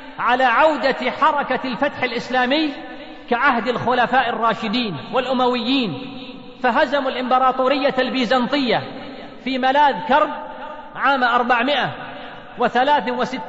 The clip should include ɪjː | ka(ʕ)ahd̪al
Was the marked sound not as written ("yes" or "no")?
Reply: no